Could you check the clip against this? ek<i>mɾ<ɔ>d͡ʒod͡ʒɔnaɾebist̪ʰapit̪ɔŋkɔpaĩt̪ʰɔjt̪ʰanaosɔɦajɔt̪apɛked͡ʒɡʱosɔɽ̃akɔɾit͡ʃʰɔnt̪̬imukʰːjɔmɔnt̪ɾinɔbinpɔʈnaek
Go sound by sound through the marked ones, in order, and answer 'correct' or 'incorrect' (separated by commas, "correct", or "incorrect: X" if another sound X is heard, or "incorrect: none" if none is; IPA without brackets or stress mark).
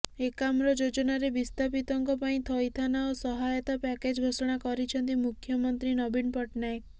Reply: incorrect: a, correct